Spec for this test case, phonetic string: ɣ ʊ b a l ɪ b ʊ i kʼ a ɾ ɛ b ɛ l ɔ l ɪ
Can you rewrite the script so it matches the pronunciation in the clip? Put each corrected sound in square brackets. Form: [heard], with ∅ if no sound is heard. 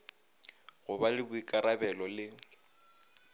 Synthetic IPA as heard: ɣ ʊ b a l ɪ b ʊ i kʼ a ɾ [a] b ɛ l ɔ l ɪ